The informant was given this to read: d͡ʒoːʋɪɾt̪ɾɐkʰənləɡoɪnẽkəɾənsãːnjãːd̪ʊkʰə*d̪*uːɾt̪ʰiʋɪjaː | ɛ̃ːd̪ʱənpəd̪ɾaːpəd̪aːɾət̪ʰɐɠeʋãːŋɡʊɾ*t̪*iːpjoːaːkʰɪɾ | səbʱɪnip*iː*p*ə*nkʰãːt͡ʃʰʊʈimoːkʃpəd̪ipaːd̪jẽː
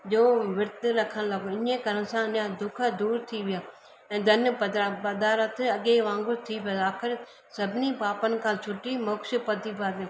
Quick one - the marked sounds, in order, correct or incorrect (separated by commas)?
correct, incorrect, incorrect, correct